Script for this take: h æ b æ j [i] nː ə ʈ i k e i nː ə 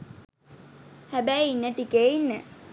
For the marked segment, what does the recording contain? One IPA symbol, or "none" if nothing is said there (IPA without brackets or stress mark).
i